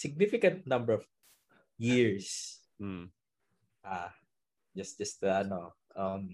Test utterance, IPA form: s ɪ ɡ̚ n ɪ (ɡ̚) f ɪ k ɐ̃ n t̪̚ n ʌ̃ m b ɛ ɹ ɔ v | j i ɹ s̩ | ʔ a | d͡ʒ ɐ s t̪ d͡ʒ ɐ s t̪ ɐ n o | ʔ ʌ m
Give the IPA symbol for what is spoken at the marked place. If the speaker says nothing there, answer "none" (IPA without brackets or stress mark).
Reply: none